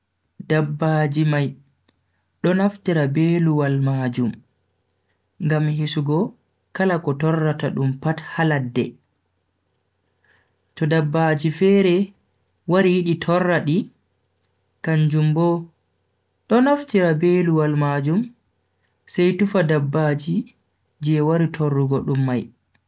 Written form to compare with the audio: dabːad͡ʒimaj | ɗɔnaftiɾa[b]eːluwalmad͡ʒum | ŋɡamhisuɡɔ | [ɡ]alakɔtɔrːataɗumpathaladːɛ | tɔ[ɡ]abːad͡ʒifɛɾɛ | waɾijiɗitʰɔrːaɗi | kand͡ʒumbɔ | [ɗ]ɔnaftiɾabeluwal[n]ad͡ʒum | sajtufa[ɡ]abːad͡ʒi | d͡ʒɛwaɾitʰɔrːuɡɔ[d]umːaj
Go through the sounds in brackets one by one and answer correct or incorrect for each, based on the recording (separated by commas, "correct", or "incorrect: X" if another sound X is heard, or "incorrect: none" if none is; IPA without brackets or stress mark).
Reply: correct, incorrect: k, incorrect: d, correct, incorrect: m, incorrect: d, incorrect: ɗ